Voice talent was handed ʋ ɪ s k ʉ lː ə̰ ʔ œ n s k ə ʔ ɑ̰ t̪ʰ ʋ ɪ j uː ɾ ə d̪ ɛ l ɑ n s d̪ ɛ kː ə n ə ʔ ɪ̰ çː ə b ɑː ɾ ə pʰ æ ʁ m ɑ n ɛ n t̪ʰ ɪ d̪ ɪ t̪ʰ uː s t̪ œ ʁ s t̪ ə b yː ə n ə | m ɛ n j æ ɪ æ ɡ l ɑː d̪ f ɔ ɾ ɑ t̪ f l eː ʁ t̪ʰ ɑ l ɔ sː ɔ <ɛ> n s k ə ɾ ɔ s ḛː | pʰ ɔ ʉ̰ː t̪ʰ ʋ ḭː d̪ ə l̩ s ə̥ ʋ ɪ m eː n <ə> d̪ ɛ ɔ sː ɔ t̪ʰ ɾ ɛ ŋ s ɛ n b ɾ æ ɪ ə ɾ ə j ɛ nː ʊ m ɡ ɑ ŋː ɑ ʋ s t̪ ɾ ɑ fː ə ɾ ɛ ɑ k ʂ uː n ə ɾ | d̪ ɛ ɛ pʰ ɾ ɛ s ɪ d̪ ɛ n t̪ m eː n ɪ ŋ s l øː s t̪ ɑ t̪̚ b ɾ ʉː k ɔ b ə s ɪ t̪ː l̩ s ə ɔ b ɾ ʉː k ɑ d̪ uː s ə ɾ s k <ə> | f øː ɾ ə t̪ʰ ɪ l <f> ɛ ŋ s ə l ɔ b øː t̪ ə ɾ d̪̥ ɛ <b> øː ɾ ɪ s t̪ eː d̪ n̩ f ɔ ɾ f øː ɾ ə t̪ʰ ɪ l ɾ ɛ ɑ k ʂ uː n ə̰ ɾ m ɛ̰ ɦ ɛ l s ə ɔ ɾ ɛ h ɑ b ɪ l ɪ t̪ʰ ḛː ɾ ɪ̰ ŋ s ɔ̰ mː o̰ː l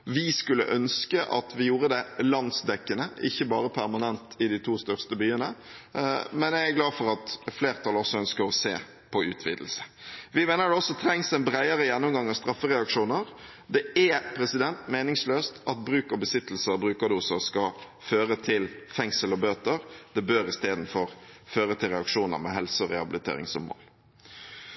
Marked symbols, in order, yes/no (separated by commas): no, yes, no, yes, yes